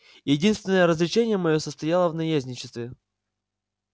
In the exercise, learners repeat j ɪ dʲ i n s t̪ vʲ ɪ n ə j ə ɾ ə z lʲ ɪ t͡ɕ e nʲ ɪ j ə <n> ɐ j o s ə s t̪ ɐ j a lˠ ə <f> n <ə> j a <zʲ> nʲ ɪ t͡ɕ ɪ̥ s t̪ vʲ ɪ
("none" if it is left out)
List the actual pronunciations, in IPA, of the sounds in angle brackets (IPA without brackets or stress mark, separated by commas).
m, v, ɐ, zʲ